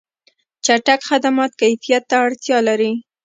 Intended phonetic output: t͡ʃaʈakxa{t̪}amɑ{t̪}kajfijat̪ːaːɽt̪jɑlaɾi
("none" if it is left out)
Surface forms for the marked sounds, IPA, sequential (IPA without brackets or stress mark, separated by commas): d̪, t̪